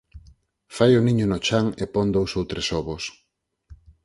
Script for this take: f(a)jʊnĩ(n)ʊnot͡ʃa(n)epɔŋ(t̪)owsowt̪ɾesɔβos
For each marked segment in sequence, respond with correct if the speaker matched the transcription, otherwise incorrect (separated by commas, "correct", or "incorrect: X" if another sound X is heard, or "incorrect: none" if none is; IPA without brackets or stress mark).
correct, incorrect: ɲ, incorrect: ŋ, incorrect: d̪